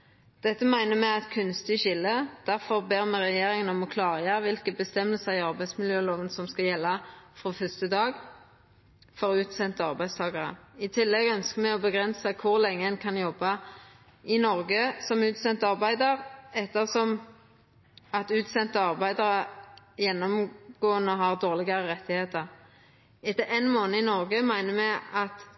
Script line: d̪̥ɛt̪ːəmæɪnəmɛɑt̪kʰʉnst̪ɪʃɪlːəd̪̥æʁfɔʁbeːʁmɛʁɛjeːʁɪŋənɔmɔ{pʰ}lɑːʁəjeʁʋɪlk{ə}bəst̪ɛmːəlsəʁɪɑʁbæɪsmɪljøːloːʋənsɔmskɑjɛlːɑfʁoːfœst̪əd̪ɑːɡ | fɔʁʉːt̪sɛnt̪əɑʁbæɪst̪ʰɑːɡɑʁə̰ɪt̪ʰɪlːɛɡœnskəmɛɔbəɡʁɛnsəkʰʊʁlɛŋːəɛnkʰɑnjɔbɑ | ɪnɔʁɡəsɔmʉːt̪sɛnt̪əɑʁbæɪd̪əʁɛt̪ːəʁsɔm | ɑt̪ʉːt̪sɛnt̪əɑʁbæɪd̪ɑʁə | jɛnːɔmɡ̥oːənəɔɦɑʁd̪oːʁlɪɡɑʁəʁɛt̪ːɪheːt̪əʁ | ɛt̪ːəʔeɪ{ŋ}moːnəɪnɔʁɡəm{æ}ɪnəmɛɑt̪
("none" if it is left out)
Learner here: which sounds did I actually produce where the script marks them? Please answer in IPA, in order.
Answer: kʰ, ə, n, æ

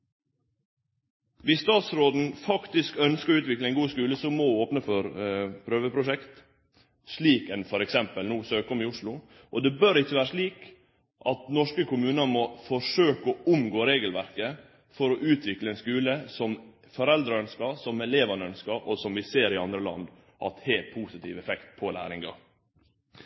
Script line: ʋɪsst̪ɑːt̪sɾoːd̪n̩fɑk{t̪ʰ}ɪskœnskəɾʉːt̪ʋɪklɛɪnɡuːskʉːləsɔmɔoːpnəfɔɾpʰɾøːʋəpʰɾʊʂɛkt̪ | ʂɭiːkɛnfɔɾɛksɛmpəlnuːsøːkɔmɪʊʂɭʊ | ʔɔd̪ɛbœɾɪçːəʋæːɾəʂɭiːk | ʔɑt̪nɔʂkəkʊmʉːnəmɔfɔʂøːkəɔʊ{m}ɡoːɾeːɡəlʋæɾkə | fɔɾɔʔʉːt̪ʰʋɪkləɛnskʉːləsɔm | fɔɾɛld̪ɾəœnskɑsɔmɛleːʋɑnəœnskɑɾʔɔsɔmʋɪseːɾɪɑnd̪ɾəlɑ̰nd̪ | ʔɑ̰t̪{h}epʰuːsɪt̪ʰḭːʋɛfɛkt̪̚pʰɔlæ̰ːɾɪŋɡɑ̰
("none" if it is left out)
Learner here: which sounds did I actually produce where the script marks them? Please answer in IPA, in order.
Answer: t̪, m, h

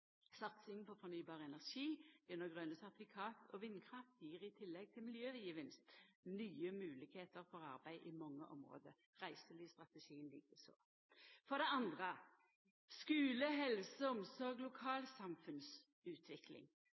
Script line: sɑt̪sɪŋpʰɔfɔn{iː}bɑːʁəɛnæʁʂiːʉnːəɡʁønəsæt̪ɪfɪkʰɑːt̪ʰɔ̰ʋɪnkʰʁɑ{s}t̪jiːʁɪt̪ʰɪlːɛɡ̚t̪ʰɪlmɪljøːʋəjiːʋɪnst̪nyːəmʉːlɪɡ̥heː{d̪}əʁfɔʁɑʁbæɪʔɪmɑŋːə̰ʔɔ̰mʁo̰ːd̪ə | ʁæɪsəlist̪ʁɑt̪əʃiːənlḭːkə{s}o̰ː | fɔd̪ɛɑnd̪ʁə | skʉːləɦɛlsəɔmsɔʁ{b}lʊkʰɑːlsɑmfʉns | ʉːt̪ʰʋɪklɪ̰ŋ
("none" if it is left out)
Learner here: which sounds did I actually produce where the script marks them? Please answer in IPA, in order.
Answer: yː, f, t̪, s, ɡ

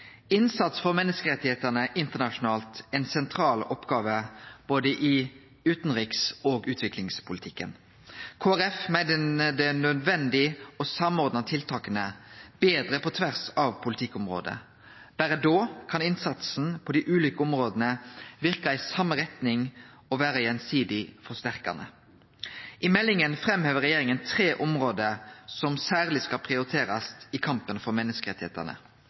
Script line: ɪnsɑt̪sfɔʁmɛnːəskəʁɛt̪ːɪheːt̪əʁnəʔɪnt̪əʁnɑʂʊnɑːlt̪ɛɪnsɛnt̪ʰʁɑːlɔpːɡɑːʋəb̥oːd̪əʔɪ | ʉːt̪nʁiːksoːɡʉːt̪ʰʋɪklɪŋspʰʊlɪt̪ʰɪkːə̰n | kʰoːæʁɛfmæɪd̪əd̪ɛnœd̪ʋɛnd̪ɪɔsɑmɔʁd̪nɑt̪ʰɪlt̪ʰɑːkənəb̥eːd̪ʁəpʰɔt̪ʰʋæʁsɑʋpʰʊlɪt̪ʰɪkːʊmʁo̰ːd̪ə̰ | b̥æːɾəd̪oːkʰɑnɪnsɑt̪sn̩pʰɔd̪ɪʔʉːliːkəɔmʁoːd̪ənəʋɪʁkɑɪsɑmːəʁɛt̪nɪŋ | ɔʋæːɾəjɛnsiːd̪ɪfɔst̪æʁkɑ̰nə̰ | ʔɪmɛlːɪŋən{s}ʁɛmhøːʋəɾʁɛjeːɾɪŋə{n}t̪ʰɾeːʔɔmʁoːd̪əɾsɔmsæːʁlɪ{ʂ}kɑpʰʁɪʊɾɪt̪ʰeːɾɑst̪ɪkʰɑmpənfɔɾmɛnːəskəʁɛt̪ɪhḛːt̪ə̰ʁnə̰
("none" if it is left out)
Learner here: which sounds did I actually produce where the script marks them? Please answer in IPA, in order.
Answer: f, n, s

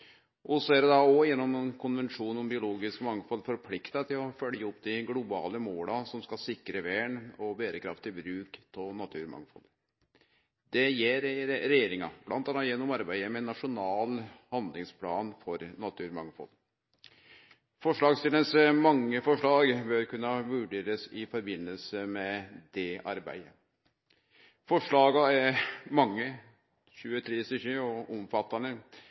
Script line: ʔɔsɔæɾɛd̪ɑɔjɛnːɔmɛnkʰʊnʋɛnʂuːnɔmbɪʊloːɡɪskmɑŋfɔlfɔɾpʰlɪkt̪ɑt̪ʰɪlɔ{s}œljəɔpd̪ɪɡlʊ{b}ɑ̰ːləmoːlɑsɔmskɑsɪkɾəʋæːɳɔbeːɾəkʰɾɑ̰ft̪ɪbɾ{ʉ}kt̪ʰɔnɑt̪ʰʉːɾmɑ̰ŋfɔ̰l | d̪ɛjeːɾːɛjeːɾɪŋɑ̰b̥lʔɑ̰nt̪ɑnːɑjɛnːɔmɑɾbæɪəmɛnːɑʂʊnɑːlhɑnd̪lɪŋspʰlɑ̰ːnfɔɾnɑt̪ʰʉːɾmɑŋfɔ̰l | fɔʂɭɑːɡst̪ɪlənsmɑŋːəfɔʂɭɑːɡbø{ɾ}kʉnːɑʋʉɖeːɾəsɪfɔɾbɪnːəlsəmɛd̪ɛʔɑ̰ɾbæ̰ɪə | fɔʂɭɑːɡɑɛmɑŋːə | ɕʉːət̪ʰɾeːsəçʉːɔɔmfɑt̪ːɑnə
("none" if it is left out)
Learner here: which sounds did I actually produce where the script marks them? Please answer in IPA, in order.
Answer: f, b, ʉː, ɾ

